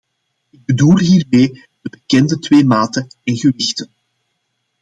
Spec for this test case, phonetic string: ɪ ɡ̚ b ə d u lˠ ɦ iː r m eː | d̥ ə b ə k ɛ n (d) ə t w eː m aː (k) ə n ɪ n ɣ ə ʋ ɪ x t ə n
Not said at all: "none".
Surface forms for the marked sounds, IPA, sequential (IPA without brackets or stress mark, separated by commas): d, t